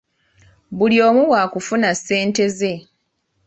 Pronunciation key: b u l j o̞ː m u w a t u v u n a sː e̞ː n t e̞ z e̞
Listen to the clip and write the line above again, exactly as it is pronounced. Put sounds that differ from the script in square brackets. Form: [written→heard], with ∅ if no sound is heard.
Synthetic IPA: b u l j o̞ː m u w a [t→k] u [v→f] u n a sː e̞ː n t e̞ z e̞